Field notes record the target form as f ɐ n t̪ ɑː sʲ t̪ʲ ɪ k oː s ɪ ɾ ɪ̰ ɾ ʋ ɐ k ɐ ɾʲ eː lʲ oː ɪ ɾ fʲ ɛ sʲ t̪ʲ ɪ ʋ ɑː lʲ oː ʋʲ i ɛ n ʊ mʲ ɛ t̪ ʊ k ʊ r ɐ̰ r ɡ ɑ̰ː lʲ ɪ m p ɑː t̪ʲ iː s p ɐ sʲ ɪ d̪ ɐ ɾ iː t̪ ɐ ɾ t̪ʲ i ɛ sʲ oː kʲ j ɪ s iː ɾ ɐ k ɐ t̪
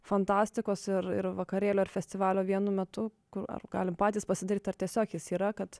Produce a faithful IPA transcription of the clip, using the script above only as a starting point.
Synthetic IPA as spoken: f ɐ n t̪ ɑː sʲ t̪ʲ ɪ k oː s ɪ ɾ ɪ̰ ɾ ʋ ɐ k ɐ ɾʲ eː lʲ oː ɪ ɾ fʲ ɛ sʲ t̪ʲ ɪ ʋ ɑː lʲ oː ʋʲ i ɛ n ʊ mʲ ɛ t̪ ʊ k ʊ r ɐ̰ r ɡ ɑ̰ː lʲ ɪ m p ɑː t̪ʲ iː s p ɐ sʲ ɪ d̪ ɐ ɾ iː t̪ ɐ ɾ t̪ʲ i ɛ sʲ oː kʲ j ɪ s iː ɾ ɐ k ɐ t̪